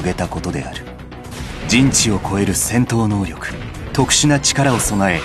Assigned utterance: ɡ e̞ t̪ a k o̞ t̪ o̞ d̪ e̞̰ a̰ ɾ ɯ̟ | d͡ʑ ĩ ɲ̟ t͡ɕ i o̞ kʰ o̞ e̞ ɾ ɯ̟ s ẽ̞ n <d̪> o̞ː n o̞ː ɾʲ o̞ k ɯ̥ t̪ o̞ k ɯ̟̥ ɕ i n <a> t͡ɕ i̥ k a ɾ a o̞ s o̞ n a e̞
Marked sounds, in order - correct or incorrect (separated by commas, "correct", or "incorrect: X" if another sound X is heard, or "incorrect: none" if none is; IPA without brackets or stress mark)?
incorrect: t̪, correct